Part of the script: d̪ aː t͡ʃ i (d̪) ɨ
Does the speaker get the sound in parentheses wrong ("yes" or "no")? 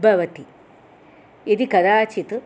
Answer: yes